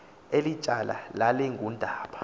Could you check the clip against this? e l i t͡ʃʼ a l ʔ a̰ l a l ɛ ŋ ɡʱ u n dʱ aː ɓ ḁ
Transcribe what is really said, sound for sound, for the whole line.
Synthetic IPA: e l i t͡ʃʼ a l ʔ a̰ l a l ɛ ŋ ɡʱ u n dʱ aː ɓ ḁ